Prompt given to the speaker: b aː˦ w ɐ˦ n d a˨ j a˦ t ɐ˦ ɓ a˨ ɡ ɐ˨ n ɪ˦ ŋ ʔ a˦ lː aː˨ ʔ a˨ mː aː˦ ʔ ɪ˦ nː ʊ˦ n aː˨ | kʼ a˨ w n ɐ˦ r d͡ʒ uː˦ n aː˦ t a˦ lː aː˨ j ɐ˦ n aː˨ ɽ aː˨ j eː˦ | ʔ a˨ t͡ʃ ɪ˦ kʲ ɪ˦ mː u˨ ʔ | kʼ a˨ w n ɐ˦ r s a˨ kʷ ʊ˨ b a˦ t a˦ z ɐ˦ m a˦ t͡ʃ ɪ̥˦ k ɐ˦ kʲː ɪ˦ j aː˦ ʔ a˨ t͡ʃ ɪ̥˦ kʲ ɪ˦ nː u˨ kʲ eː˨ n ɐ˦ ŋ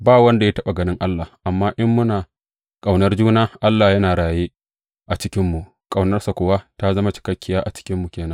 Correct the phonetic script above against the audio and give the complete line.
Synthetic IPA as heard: b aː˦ w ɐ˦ n d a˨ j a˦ t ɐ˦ ɓ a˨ ɡ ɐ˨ n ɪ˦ ŋ ʔ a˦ lː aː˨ ʔ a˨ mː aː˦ ʔ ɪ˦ mː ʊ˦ n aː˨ | kʼ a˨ w n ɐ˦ r d͡ʒ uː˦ n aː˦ ʔ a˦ lː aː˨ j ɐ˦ n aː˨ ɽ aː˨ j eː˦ | ʔ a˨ t͡ʃ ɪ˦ kʲ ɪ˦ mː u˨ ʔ | kʼ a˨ w n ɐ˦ r s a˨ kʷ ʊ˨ w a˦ t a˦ z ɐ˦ m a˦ t͡ʃ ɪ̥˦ k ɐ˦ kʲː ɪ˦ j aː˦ ʔ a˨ t͡ʃ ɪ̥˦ kʲ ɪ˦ mː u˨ kʲ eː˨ n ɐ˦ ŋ